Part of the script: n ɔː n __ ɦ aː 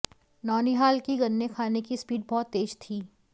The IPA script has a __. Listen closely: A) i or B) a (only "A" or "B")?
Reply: A